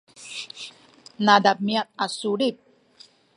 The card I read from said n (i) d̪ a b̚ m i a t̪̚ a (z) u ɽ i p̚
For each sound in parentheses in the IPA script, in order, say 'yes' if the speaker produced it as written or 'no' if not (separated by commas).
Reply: no, no